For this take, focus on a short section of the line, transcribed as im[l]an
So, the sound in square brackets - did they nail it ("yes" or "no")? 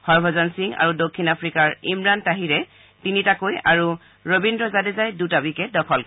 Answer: no